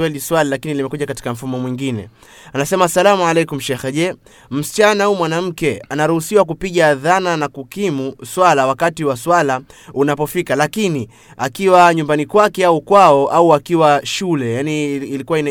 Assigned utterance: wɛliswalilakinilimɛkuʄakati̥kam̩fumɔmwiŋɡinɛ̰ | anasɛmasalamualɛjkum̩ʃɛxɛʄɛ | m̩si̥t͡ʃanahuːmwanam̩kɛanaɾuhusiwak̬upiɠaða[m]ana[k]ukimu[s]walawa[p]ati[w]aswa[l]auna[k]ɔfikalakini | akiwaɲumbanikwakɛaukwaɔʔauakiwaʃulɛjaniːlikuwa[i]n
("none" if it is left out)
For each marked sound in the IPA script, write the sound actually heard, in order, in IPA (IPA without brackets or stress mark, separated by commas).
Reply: n, k, s, k, w, l, p, i